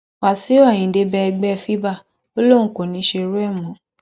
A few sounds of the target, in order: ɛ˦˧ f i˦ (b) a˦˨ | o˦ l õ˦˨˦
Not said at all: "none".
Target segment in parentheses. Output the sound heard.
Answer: b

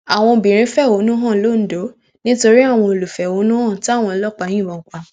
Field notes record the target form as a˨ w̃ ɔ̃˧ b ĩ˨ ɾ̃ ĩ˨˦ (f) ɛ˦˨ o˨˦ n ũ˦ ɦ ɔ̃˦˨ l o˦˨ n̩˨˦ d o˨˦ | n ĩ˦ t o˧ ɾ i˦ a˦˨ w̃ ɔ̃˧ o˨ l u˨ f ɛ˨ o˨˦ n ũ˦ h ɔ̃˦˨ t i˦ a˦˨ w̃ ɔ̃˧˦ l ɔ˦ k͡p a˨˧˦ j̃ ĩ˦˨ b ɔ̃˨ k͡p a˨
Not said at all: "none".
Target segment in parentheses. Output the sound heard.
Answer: f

